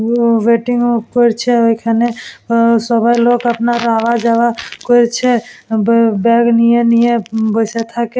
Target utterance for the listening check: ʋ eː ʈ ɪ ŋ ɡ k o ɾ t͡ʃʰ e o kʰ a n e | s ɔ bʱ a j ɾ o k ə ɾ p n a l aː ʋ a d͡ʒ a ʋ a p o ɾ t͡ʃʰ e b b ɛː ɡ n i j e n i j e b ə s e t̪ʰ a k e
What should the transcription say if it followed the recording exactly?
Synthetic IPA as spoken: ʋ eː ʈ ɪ ŋ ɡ k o ɾ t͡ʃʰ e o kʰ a n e | s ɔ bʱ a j l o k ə p n a ɾ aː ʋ a d͡ʒ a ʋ a k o ɾ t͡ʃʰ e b b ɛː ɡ n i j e n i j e b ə s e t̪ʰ a k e